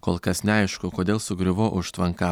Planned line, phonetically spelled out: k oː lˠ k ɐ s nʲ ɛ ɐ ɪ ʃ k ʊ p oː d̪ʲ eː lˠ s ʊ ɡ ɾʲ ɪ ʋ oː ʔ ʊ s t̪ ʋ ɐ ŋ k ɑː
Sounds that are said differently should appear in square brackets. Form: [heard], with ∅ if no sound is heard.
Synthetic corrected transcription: k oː lˠ k ɐ s nʲ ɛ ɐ ɪ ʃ k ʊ [k] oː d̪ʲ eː lˠ s ʊ ɡ ɾʲ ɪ ʋ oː ʔ ʊ [ʃ] t̪ ʋ ɐ ŋ k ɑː